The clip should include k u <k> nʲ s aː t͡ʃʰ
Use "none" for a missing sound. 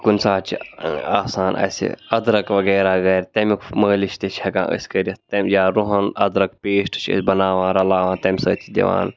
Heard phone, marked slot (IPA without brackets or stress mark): none